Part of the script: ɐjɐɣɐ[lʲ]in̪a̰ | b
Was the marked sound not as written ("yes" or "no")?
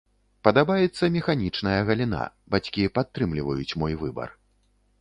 no